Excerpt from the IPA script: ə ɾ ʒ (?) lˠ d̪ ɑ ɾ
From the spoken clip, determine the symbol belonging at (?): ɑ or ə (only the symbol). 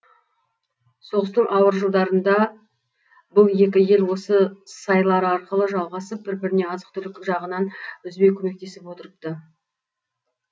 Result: ə